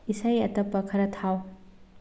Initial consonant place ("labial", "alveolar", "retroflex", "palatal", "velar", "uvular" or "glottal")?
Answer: alveolar